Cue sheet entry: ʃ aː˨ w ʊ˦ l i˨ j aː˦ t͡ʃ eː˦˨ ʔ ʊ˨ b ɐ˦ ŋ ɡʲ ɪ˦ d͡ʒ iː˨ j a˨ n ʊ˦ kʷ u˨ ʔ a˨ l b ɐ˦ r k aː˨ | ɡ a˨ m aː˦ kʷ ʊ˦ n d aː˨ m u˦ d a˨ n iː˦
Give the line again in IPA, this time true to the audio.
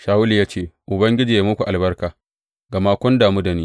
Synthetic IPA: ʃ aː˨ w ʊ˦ l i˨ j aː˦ t͡ʃ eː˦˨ ʔ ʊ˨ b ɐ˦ ŋ ɡʲ ɪ˦ d͡ʒ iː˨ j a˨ m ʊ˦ kʷ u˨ ʔ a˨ l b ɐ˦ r k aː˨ | ɡ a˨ m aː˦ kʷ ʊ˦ n d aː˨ m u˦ d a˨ n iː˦